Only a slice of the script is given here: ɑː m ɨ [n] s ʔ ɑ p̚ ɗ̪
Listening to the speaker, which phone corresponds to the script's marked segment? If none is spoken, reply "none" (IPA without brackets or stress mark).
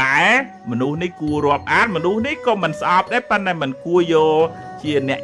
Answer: n